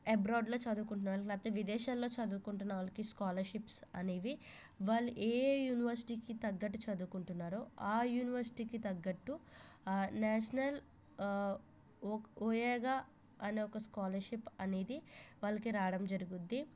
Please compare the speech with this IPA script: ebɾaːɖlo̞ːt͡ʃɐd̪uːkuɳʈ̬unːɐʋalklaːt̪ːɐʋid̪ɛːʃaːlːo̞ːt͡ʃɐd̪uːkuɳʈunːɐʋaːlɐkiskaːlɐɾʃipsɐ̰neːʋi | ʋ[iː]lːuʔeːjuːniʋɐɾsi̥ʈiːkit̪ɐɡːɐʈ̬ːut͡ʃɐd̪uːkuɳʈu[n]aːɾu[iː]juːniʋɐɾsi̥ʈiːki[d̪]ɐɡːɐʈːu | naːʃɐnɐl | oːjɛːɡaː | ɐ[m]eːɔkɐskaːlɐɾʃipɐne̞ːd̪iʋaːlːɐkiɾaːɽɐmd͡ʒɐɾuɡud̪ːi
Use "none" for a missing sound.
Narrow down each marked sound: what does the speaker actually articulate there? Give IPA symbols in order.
aː, nː, aː, t̪, n

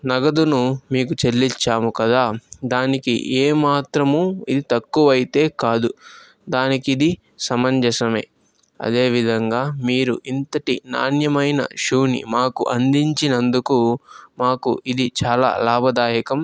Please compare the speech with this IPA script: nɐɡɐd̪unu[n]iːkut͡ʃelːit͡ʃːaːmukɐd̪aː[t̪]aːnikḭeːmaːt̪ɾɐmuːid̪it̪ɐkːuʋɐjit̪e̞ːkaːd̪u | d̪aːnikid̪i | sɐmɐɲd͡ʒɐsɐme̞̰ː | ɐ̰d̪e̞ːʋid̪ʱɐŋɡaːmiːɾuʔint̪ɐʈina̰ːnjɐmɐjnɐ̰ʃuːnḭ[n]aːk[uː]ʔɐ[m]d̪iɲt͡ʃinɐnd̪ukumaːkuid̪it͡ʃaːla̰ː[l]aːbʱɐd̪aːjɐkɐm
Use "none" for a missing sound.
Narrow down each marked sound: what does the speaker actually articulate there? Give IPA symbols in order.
m, d̪, m, u, n, l

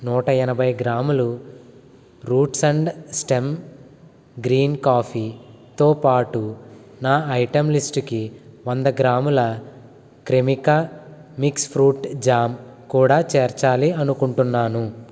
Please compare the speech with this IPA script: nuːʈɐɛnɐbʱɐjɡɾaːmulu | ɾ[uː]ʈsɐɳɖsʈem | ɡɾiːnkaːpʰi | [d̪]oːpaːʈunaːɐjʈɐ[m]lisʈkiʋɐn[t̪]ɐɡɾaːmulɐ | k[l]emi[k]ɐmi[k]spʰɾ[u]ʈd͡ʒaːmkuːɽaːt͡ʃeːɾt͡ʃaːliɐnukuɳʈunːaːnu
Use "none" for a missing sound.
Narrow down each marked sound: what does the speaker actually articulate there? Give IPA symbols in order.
uː, t̪, m, d̪, ɾ, k, k, uː

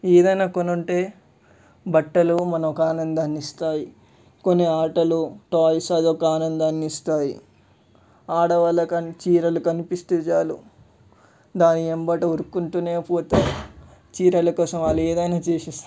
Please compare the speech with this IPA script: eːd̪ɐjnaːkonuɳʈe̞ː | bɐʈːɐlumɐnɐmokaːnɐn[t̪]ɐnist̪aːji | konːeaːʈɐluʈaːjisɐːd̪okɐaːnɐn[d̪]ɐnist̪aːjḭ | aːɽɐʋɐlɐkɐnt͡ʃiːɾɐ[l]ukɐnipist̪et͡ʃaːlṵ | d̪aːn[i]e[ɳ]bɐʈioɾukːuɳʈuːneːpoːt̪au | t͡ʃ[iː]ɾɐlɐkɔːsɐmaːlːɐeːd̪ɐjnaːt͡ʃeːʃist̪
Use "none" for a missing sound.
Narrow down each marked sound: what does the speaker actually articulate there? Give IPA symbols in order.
d̪, d̪, l, i, m, iː

